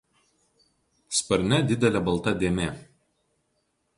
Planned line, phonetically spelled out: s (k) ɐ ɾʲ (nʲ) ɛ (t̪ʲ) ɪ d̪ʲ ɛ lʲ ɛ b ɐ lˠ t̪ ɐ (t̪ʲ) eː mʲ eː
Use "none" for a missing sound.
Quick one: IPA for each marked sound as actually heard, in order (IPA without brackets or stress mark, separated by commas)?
p, nʲ, d̪ʲ, d̪ʲ